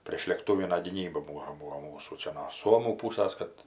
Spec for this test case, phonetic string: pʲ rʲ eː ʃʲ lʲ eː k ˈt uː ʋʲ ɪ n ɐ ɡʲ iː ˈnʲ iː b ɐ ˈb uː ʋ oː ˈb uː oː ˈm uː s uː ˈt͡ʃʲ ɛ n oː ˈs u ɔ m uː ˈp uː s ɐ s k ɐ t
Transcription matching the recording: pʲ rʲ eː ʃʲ lʲ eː k ˈt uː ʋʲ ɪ n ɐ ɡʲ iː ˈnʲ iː b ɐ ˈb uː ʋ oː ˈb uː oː ˈm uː s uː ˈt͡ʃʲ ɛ n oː ˈs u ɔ m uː ˈp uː s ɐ s k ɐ t